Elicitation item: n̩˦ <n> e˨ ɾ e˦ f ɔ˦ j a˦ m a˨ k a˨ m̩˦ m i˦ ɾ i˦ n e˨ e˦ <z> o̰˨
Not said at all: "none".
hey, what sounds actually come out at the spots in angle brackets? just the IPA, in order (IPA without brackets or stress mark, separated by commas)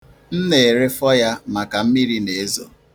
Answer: n, z